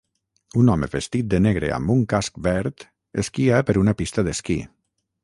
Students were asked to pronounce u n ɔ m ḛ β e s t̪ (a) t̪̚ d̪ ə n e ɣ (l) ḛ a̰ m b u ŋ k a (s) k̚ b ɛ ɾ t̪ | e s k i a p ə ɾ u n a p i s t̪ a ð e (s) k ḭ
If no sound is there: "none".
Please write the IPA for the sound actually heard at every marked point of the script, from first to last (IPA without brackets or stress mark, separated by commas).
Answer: i, ɾ, s, s